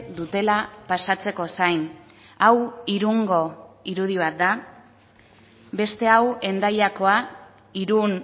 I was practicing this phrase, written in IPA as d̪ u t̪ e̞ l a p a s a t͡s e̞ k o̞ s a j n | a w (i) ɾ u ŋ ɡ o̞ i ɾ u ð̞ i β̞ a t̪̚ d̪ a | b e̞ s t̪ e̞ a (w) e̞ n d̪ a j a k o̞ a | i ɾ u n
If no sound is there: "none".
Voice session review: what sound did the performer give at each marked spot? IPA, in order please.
i, w

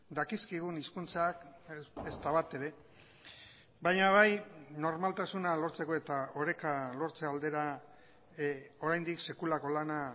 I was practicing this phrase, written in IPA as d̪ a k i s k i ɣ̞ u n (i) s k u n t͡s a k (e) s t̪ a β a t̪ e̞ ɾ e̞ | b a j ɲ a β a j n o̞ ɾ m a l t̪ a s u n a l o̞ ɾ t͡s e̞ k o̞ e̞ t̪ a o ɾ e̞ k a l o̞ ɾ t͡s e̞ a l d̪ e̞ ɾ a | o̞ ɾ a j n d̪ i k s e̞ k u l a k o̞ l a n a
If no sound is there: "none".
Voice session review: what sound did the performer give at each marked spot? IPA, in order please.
i, e

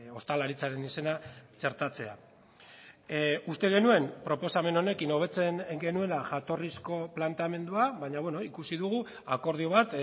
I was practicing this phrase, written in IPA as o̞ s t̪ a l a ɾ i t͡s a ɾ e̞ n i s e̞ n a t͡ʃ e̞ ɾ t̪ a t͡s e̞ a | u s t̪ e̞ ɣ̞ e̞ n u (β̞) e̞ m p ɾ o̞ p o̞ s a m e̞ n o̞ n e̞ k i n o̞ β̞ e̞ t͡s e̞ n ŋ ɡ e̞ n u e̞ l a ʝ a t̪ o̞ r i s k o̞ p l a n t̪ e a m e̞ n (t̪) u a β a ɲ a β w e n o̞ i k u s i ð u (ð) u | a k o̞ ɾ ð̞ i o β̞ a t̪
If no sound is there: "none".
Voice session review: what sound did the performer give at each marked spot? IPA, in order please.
none, d̪, ɣ

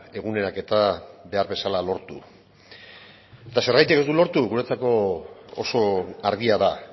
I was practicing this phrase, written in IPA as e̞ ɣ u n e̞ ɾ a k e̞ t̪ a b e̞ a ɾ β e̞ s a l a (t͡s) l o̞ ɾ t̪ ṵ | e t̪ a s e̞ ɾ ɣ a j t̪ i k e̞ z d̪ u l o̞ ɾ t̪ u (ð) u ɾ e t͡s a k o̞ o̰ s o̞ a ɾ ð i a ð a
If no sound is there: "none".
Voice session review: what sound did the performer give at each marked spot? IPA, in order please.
none, ɣ

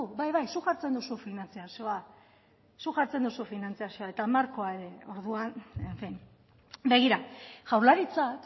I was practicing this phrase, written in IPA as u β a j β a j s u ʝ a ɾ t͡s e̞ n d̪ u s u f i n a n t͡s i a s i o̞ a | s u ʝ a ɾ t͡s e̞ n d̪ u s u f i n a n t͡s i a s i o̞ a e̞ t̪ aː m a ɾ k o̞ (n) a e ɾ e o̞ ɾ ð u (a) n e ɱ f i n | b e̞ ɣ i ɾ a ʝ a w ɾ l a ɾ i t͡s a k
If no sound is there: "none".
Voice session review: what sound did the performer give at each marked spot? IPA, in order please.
none, a

